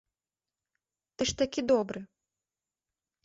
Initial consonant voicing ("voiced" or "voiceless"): voiceless